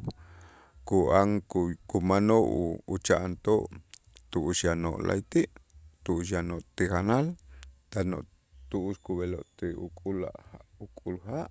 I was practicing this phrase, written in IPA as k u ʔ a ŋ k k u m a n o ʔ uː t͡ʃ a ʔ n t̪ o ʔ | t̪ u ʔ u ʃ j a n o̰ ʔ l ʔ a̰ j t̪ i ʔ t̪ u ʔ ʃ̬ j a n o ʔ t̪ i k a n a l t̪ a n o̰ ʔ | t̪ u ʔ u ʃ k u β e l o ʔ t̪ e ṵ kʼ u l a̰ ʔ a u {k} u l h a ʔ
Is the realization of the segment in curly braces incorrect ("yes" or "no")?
yes